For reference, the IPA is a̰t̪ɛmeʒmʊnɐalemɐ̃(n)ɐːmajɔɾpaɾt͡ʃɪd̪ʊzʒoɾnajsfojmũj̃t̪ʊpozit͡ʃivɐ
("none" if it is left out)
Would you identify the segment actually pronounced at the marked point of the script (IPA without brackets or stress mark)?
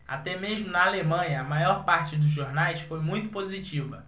ɲ